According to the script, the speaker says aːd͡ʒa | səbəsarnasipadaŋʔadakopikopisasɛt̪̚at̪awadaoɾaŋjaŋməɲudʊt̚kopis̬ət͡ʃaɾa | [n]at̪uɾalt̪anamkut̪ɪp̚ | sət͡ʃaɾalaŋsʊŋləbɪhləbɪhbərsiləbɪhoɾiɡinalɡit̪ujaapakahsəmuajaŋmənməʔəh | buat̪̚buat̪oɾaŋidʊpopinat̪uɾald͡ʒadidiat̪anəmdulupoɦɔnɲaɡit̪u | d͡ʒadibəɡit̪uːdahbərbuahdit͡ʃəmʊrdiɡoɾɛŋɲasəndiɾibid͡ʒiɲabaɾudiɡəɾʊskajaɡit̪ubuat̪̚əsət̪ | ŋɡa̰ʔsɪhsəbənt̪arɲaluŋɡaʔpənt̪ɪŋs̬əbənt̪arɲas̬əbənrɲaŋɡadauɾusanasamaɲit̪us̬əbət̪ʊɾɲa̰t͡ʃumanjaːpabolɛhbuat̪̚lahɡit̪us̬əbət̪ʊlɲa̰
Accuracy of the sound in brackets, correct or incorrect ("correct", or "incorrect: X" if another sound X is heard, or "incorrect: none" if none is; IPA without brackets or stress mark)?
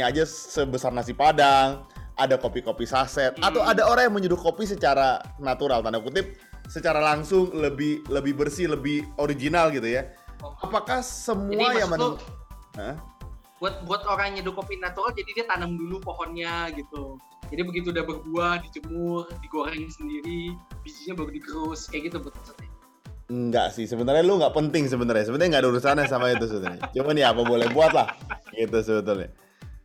correct